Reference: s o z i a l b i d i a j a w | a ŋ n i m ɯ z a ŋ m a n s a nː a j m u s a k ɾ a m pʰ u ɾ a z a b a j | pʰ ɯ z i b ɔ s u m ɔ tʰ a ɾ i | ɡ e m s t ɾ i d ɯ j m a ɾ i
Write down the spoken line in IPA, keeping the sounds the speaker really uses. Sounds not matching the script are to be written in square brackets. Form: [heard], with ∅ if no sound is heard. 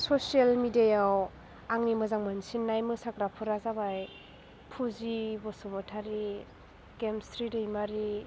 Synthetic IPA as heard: s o [s] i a l [m] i d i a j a w | a ŋ n i m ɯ z a ŋ m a n s [i] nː a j m [ɯ] s a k ɾ a [∅] pʰ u ɾ a z a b a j | pʰ [u] z i b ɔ s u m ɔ tʰ a ɾ i | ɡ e m s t ɾ i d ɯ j m a ɾ i